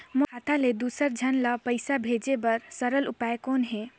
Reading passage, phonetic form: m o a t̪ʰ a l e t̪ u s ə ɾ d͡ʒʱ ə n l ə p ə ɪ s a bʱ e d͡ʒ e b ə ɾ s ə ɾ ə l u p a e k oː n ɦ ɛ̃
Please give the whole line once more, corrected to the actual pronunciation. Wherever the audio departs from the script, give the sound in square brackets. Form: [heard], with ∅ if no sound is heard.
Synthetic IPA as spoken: m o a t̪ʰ a l e [d̪] u s ə ɾ d͡ʒʱ ə n l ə p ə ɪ s a bʱ e d͡ʒ e b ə ɾ s ə ɾ ə l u p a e k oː n ɦ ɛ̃